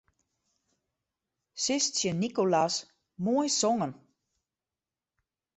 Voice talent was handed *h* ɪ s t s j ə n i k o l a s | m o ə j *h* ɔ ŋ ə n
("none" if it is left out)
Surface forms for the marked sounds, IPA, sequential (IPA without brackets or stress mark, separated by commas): s, s